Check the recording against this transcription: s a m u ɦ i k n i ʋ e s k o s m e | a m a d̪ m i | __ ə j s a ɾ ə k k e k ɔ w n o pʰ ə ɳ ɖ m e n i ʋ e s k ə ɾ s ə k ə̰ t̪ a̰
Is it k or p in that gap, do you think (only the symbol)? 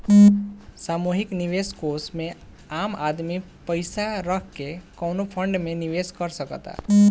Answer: p